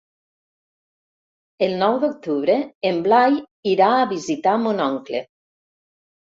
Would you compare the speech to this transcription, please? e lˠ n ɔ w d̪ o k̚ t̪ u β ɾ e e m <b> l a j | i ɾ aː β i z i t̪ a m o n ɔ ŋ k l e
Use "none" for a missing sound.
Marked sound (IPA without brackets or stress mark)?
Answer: b